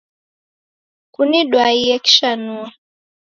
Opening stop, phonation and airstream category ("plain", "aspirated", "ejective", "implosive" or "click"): plain